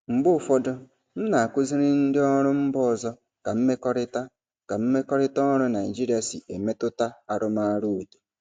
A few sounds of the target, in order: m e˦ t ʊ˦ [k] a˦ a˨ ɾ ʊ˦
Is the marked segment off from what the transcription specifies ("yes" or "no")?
yes